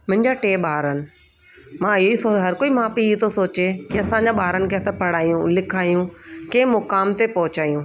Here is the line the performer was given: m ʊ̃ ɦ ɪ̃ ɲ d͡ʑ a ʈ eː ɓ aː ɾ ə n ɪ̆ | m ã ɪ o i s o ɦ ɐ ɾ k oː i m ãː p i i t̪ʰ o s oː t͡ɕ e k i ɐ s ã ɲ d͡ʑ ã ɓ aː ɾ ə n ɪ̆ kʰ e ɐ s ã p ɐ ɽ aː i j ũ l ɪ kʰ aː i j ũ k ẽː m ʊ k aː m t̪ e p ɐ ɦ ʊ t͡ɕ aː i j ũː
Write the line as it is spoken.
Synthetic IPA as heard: m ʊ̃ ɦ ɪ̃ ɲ d͡ʑ a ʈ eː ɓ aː ɾ ə n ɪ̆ | m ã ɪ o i s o ɦ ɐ ɾ k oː i m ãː p i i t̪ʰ o s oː t͡ɕ e k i ɐ s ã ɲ d͡ʑ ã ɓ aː ɾ ə n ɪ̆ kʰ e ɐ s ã p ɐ ɽ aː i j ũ l ɪ kʰ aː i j ũ k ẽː m ʊ k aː m t̪ e p ɐ ɦ ʊ t͡ɕ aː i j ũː